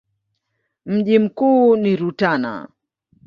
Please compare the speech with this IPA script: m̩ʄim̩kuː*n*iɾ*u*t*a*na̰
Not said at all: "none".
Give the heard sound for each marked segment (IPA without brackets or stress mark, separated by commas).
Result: n, u, a